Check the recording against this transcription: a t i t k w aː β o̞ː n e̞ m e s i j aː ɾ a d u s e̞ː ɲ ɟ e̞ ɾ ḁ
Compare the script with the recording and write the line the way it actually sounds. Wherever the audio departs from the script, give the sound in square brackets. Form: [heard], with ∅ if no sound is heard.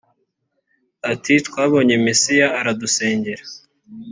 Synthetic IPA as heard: a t i t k w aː β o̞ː [ɲ] e̞ m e s i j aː ɾ a d u s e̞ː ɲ ɟ e̞ ɾ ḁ